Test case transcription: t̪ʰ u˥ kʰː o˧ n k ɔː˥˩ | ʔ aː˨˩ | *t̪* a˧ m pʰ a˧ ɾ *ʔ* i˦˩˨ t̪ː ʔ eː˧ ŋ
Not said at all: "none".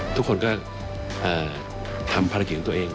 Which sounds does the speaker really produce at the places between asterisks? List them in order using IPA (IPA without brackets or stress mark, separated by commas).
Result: t̪ʰ, k